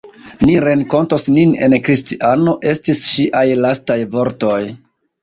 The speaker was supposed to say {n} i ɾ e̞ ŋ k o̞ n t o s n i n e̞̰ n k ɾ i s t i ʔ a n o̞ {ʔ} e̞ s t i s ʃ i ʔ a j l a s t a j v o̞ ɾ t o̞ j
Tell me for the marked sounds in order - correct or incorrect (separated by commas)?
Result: correct, correct